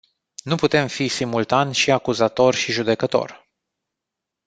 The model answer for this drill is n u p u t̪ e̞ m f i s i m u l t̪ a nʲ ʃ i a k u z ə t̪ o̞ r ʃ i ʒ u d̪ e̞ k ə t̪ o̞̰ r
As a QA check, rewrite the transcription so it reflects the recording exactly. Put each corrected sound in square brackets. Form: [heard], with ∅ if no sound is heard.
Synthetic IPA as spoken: n u p u t̪ e̞ m f i s i m u l t̪ a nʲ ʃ i a k u z [a] t̪ o̞ r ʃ i ʒ u d̪ e̞ k ə t̪ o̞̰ r